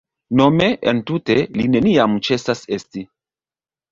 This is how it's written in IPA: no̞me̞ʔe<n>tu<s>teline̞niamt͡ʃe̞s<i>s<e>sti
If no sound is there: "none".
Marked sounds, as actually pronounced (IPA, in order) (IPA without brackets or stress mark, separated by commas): n, none, a, e